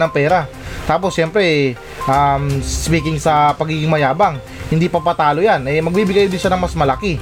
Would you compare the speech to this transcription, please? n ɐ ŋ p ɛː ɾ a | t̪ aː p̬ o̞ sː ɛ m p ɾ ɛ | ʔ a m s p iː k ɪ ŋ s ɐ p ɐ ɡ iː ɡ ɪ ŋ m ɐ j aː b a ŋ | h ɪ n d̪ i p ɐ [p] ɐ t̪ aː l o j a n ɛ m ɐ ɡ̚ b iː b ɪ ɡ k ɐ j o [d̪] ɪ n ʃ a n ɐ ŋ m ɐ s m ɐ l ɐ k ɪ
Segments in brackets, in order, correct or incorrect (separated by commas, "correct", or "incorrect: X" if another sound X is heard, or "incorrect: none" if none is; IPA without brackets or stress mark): correct, correct